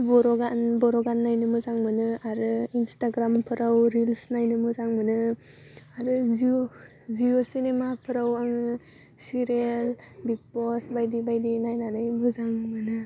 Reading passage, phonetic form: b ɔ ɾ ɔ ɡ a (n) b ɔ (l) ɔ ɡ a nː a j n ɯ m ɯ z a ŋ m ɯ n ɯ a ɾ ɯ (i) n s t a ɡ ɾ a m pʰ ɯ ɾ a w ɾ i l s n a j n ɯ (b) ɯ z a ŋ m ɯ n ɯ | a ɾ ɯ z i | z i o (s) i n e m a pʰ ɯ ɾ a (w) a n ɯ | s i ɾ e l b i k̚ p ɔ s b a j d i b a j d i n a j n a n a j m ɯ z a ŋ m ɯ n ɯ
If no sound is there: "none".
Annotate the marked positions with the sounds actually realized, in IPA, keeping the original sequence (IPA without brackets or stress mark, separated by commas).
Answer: n, ɾ, i, m, s, w